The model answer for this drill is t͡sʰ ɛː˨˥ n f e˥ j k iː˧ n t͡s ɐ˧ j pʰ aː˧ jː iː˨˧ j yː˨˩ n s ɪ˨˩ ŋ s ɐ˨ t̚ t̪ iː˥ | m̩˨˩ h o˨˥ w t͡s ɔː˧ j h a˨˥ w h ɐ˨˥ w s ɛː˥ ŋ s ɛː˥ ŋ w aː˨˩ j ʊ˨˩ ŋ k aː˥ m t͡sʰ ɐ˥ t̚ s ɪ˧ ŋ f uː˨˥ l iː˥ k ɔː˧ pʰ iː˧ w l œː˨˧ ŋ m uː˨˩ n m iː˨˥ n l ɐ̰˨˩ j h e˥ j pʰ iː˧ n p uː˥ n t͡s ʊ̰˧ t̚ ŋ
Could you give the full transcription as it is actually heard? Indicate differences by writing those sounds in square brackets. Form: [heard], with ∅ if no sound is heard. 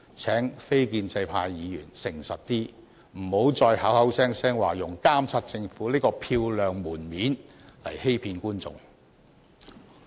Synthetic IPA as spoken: t͡sʰ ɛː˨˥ [ŋ] f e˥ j k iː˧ n t͡s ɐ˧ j pʰ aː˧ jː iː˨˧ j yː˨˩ n s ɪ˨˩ ŋ s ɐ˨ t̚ t̪ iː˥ | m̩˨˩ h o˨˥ w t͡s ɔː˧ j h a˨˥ w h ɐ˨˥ w s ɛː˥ ŋ s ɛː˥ ŋ w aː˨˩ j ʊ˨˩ ŋ k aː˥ m t͡sʰ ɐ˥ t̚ [t͡s] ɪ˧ ŋ f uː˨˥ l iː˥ k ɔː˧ pʰ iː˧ w l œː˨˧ ŋ m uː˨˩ n m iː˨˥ n l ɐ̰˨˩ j h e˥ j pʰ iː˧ n [k] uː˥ n t͡s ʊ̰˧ [∅] ŋ

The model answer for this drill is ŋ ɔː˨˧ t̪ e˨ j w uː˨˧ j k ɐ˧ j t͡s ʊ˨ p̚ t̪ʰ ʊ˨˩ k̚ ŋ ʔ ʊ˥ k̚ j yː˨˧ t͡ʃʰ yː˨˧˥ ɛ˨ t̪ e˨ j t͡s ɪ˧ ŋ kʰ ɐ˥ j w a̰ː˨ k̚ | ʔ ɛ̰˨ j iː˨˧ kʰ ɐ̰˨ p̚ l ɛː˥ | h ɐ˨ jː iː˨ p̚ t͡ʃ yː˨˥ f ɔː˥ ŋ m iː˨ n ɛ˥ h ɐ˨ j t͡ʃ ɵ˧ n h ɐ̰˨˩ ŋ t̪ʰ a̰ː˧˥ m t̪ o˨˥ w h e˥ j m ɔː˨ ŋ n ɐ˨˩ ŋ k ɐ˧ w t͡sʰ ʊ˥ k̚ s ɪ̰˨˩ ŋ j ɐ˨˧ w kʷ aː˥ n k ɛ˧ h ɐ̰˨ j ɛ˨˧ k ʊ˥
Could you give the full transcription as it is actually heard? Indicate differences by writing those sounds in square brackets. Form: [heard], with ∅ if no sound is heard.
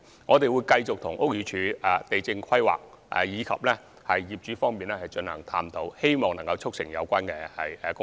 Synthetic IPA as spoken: ŋ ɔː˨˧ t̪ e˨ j w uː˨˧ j k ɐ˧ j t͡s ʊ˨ [k̚] t̪ʰ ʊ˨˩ [∅] ŋ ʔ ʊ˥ k̚ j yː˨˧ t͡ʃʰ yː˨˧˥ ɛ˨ t̪ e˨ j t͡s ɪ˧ ŋ kʰ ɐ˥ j w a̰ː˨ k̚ | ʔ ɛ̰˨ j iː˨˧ kʰ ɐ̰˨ p̚ l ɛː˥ | h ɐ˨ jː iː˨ p̚ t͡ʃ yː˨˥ f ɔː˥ ŋ m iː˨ n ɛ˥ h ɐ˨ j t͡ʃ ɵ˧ n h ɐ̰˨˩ ŋ t̪ʰ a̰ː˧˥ m t̪ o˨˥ w h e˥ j m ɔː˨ ŋ n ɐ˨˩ ŋ k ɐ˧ w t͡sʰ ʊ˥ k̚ s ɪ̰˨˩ ŋ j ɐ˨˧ w kʷ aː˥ n k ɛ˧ h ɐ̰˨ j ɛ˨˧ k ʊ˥

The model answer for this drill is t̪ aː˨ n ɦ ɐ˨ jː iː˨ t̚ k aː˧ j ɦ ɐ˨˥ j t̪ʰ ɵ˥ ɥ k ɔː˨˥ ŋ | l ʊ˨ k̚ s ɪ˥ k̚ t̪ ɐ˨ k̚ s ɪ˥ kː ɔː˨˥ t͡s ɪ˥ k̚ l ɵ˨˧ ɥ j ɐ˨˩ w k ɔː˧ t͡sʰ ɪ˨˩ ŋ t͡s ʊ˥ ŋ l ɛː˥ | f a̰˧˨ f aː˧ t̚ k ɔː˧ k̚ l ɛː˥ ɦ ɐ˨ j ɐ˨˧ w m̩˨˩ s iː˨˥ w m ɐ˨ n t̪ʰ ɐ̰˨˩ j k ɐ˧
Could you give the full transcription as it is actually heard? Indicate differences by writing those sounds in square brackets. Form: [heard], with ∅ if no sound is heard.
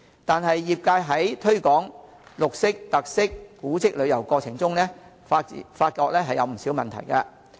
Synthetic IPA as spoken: t̪ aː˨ n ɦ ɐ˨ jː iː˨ [p̚] k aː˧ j ɦ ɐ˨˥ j t̪ʰ ɵ˥ ɥ k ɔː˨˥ ŋ | l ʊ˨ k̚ s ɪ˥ k̚ t̪ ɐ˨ k̚ s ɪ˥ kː [uː˨˥] t͡s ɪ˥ k̚ l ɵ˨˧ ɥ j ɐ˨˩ w k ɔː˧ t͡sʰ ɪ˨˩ ŋ t͡s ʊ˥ ŋ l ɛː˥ | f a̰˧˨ f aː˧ t̚ k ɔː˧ k̚ l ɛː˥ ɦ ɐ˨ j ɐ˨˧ w m̩˨˩ s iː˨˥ w m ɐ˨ n t̪ʰ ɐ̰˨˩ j k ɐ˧

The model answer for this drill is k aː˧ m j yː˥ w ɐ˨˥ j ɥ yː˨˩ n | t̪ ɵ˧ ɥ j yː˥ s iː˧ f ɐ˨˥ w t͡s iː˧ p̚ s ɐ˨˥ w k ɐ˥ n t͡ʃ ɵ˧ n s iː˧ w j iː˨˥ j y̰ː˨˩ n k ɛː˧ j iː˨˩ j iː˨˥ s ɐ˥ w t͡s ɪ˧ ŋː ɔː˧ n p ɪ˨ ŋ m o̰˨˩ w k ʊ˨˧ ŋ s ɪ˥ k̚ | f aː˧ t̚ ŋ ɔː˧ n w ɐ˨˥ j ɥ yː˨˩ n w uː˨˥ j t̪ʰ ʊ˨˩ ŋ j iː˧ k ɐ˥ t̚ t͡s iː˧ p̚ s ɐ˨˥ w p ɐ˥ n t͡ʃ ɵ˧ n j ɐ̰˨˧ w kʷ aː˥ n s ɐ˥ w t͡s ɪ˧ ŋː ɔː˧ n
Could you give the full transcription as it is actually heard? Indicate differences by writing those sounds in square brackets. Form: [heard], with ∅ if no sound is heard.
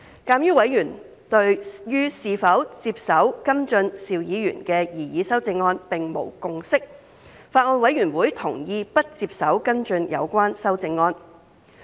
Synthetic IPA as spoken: k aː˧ m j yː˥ w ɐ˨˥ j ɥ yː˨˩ n | t̪ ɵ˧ ɥ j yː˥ s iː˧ f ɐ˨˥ w t͡s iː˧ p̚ s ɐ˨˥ w k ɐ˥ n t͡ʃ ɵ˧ n s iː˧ w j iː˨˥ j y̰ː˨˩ n k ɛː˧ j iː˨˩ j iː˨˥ s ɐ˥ w t͡s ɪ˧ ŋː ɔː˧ n p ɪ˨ ŋ m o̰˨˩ w k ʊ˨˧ ŋ s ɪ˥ k̚ | f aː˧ t̚ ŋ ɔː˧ n w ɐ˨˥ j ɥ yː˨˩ n w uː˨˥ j t̪ʰ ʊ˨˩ ŋ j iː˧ [p] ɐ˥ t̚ t͡s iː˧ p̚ s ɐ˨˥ w [k] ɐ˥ n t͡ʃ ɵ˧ n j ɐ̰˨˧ w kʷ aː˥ n s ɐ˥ w t͡s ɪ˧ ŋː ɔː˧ n

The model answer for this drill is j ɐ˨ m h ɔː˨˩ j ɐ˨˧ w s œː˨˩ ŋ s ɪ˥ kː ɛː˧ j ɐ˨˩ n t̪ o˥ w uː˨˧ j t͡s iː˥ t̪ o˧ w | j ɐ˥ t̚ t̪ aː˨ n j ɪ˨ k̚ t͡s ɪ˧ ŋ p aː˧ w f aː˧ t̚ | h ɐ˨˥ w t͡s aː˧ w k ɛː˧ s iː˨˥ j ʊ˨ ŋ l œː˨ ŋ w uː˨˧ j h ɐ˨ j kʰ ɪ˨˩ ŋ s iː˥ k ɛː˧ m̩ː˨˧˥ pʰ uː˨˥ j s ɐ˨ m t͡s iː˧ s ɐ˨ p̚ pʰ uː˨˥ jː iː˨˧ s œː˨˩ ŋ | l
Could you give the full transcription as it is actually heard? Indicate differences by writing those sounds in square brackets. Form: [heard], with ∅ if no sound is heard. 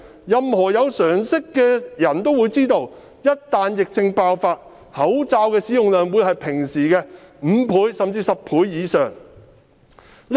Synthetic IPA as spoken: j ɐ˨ m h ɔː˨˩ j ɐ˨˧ w s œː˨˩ ŋ s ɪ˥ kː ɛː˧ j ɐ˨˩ n t̪ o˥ w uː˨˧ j t͡s iː˥ t̪ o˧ w | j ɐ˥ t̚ t̪ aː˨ n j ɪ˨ k̚ t͡s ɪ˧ ŋ p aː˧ w f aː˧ t̚ | h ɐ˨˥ w t͡s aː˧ w k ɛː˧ s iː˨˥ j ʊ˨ ŋ l œː˨ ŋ w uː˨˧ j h ɐ˨ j [pʰ] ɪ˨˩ ŋ s [iː˨˩] k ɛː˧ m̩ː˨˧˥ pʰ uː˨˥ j s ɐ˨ m t͡s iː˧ s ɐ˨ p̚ pʰ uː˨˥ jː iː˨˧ s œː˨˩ ŋ | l

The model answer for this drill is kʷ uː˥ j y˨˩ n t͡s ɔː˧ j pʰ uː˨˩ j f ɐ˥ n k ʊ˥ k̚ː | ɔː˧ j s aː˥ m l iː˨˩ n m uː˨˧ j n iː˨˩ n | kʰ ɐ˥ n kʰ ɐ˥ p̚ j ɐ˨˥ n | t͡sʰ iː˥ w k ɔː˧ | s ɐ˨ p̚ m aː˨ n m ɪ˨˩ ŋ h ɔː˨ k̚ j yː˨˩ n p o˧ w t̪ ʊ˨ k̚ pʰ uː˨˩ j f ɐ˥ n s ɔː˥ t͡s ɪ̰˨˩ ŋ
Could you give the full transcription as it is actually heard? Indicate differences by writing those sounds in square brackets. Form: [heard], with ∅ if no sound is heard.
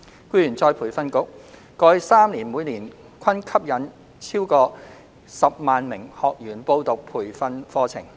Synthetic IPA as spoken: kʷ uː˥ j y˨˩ n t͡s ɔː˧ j pʰ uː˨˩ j f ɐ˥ n k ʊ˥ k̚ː | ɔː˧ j s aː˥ m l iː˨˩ n m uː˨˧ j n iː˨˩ n | kʰ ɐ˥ n kʰ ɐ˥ p̚ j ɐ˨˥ n | t͡sʰ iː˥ w k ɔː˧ | s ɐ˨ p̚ m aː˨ n m ɪ˨˩ ŋ h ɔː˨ k̚ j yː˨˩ n p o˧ w t̪ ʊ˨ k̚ pʰ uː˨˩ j f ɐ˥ n [f] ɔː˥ [t͡sʰ] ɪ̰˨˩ ŋ

